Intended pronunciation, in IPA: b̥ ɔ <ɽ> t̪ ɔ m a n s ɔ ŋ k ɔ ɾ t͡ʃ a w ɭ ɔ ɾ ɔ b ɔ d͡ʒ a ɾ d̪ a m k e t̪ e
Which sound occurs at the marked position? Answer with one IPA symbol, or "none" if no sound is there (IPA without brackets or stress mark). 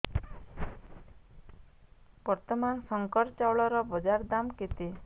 ɾ